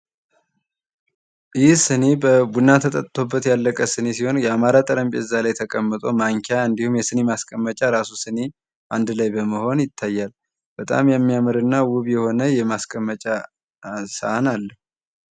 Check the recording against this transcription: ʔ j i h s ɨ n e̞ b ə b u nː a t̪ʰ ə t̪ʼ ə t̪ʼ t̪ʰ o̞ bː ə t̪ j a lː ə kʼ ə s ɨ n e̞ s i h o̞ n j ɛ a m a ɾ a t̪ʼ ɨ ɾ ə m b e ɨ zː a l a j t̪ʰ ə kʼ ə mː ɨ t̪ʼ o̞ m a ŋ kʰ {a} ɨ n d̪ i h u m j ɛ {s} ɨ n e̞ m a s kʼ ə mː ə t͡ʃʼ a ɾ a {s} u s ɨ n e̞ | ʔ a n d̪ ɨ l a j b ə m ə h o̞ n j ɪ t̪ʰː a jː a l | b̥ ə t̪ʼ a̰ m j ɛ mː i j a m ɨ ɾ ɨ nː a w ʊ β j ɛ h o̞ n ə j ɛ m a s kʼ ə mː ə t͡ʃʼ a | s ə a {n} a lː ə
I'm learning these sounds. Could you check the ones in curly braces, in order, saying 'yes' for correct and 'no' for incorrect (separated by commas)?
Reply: yes, yes, yes, yes